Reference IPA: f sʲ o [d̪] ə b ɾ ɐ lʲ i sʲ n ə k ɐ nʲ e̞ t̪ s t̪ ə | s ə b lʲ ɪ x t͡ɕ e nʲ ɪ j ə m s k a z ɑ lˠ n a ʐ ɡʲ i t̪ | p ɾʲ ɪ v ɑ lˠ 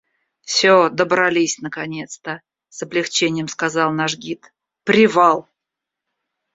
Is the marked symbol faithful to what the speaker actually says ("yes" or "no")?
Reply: yes